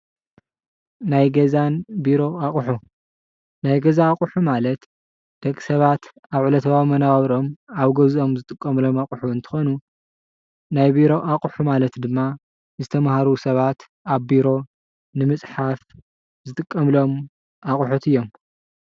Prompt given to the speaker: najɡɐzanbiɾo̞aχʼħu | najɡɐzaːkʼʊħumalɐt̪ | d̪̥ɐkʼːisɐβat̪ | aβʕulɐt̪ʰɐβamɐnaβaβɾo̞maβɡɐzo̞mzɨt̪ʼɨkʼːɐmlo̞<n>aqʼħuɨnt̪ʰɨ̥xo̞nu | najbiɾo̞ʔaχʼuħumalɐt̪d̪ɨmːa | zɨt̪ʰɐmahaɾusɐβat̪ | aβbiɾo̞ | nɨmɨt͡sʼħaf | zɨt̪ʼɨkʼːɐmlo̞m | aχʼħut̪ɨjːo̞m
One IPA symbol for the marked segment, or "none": m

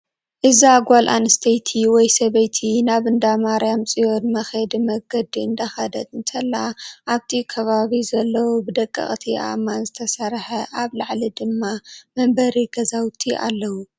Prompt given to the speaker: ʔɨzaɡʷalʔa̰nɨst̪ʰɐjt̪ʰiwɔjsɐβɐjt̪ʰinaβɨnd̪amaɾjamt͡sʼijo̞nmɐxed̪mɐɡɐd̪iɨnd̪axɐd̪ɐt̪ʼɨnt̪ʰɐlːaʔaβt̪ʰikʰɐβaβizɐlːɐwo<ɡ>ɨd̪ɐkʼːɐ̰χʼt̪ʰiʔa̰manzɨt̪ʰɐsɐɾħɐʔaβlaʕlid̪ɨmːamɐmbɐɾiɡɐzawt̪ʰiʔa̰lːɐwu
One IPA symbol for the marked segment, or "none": b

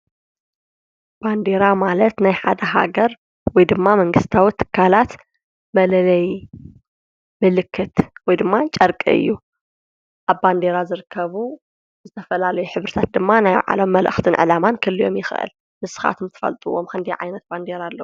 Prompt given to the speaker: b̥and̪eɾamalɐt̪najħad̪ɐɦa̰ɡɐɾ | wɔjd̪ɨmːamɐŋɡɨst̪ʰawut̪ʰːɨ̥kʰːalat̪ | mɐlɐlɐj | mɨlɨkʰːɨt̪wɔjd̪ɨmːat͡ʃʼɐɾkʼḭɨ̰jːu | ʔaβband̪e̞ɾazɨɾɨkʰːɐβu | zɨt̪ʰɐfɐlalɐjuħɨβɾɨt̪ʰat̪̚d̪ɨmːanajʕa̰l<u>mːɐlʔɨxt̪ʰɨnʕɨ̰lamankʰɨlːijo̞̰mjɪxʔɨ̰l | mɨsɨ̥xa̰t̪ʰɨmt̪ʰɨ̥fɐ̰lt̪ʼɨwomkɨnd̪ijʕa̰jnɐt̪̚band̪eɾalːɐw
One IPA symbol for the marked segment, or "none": o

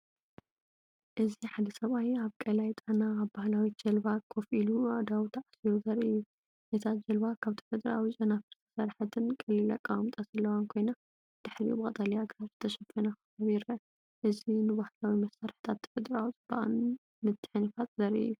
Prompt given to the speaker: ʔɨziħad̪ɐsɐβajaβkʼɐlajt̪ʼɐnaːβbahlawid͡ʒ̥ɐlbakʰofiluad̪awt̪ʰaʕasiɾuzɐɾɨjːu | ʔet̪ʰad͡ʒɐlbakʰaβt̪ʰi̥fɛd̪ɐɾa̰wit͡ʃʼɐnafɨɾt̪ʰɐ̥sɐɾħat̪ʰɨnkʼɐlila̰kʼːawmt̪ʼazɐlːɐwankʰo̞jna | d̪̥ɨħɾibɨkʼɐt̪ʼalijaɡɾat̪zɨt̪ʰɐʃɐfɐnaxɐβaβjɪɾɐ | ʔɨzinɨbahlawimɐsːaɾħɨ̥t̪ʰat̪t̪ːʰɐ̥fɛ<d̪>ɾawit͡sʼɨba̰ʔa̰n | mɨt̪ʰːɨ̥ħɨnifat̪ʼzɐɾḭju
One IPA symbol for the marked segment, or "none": d̪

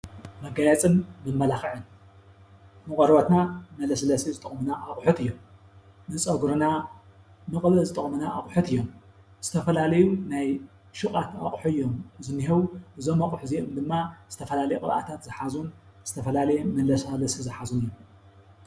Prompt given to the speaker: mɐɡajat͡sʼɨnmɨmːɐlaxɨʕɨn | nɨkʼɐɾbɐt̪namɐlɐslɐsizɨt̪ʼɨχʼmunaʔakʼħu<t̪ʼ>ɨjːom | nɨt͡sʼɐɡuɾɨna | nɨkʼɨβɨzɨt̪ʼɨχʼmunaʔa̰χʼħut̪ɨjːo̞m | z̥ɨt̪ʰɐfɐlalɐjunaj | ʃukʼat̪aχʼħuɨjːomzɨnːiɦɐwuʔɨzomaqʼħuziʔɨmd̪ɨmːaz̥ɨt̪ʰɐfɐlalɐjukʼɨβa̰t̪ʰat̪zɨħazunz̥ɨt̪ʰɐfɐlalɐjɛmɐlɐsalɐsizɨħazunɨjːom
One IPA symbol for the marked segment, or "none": t̪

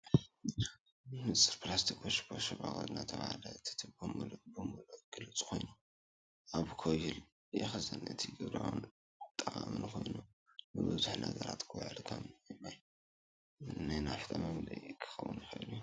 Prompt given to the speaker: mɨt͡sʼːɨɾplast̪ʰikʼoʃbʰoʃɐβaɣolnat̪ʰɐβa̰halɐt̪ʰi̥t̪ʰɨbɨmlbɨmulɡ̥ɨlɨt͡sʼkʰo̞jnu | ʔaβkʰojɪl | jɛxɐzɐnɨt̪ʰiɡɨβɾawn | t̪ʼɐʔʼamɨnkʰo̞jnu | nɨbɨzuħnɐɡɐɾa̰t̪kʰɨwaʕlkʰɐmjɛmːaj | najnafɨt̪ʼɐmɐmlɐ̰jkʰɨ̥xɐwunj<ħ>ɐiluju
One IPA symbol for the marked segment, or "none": x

